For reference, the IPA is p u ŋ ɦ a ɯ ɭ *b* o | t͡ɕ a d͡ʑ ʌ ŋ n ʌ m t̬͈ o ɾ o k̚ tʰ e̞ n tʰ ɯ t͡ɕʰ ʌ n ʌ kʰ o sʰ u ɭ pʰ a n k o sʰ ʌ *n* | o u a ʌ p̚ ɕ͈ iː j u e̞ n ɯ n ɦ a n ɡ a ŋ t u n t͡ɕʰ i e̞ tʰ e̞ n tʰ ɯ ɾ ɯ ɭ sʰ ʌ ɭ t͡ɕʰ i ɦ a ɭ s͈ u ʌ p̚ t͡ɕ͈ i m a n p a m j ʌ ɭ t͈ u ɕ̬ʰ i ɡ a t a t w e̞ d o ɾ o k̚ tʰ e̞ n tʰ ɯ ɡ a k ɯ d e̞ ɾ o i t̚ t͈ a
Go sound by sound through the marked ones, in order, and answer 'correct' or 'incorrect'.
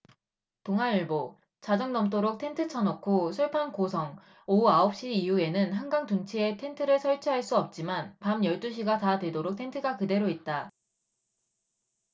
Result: correct, incorrect

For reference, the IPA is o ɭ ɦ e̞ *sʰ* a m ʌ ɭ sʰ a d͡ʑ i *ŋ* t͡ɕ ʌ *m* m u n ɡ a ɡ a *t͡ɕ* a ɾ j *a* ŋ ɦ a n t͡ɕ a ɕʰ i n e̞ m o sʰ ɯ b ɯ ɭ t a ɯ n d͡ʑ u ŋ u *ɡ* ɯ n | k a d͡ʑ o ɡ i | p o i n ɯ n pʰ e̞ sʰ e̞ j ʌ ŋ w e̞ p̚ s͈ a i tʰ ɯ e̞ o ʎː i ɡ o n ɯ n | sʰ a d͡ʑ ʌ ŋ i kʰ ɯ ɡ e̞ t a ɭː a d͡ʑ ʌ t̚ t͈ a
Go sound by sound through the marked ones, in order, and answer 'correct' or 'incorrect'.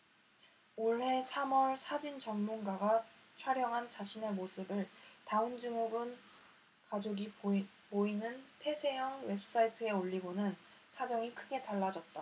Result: correct, incorrect, incorrect, incorrect, incorrect, correct

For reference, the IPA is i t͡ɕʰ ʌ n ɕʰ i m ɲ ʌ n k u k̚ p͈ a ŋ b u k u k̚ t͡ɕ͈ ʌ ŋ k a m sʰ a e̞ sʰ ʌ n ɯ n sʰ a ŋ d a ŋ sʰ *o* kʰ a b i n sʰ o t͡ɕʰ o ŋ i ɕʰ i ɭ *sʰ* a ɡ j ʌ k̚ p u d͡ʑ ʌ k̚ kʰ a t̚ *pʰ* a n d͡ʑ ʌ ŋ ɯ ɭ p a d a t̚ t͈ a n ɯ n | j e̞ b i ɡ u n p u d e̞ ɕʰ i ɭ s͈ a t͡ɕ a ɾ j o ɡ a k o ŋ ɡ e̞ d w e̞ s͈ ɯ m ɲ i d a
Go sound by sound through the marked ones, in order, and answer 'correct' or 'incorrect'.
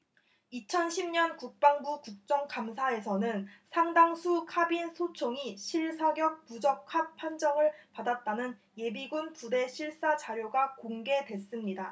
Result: incorrect, correct, correct

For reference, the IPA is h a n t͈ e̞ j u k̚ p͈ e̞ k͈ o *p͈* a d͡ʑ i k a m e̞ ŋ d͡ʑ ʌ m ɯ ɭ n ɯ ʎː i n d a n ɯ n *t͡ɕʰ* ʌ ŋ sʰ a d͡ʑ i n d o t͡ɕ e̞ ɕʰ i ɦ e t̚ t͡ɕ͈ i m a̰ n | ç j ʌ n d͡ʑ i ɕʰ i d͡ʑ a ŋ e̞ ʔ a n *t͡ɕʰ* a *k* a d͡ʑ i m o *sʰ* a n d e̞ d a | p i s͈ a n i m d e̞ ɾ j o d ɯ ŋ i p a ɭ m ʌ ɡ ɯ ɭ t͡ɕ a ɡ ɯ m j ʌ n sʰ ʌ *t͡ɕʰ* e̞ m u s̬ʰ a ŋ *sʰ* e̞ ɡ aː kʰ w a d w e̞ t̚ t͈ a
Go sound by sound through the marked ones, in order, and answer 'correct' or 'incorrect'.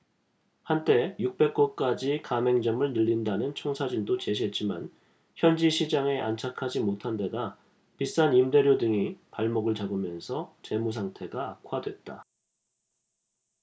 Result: incorrect, correct, correct, incorrect, incorrect, incorrect, incorrect

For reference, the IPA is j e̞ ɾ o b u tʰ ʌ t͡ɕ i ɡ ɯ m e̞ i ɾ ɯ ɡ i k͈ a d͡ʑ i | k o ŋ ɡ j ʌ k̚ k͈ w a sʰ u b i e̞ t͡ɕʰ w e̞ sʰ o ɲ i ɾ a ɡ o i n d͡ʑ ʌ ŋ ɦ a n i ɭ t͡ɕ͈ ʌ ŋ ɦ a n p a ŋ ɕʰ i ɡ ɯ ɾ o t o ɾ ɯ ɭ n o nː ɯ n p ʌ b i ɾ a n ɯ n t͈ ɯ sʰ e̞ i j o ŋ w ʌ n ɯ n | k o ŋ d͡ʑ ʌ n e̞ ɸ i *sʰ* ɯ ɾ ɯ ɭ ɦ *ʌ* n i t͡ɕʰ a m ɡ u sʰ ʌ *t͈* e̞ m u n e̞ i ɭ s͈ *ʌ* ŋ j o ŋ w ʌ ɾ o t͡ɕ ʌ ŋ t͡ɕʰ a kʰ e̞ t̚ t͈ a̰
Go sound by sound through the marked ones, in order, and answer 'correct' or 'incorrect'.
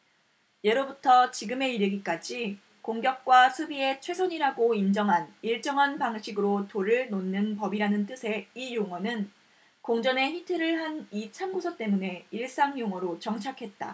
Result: incorrect, incorrect, correct, incorrect

